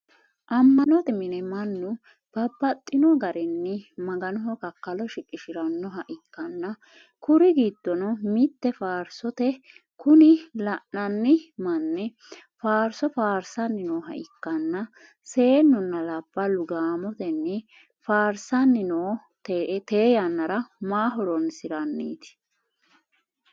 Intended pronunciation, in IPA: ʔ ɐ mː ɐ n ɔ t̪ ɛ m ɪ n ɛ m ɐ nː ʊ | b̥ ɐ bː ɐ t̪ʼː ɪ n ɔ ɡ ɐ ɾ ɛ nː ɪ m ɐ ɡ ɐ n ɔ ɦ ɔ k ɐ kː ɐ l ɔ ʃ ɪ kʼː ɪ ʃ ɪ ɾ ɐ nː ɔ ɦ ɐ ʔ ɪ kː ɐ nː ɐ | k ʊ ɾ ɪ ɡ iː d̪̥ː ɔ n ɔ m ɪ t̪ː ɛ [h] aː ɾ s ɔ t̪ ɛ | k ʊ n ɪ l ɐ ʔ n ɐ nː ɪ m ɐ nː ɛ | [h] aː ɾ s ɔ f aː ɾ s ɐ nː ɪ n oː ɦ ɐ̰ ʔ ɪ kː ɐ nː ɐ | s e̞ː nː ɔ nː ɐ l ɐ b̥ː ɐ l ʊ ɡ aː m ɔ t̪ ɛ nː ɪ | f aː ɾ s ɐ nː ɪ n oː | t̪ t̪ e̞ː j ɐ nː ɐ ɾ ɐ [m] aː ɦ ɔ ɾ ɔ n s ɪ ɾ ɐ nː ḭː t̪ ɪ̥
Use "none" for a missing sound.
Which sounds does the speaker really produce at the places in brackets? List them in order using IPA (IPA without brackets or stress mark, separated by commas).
f, f, m